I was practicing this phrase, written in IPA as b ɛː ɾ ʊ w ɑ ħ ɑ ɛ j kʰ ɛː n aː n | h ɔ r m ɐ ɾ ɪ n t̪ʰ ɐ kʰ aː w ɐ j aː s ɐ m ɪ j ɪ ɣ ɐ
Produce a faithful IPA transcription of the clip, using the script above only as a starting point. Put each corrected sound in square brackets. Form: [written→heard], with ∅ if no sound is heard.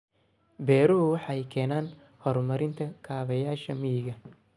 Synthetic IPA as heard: b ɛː ɾ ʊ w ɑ ħ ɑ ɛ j kʰ ɛː n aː n | h ɔ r m ɐ ɾ ɪ n t̪ʰ ɐ kʰ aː [w→β] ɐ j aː [s→ʃ] ɐ m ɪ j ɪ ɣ ɐ